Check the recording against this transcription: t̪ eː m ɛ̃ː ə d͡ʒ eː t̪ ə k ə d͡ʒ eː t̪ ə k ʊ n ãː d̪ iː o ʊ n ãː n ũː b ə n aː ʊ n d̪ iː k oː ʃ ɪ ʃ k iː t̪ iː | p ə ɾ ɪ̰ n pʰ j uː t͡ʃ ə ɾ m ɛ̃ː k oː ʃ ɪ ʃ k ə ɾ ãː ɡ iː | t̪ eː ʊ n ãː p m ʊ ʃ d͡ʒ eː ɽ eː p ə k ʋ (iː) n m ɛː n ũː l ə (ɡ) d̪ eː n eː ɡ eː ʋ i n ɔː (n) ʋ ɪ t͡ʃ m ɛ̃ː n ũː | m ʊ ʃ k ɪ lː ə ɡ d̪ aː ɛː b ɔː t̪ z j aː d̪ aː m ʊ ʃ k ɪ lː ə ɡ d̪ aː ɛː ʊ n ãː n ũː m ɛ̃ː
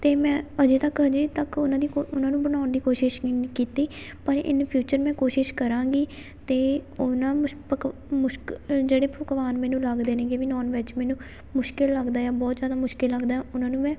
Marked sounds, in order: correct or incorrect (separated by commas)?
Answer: incorrect, correct, correct